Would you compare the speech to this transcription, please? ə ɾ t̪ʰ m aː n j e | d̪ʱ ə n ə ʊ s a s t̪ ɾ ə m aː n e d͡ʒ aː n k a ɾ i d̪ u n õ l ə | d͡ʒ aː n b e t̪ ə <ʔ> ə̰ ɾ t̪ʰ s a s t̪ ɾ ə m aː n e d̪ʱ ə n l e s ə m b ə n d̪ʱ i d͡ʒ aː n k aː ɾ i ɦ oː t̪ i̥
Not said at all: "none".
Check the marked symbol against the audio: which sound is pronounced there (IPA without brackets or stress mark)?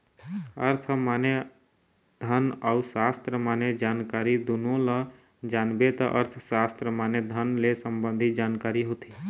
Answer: ʔ